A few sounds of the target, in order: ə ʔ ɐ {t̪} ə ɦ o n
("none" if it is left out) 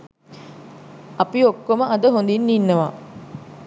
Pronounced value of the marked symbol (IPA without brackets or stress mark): d̪